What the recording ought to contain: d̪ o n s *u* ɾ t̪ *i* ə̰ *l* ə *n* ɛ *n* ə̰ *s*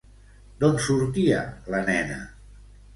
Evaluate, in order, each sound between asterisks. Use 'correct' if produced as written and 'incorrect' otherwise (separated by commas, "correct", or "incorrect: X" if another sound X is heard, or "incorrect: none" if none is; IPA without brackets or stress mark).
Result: correct, correct, correct, correct, correct, incorrect: none